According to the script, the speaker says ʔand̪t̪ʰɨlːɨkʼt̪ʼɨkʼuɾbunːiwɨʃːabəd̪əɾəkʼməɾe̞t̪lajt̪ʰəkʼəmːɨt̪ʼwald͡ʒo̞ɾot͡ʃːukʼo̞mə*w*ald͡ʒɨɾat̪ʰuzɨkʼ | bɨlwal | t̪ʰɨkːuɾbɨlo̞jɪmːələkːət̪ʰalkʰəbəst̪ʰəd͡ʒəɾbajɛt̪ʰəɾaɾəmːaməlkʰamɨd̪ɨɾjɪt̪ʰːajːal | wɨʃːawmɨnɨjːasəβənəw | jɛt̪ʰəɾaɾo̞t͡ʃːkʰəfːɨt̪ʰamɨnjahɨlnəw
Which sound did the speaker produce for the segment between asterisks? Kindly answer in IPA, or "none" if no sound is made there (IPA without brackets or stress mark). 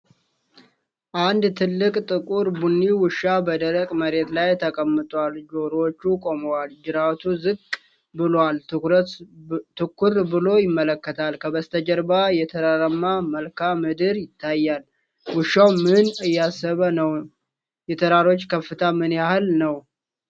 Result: w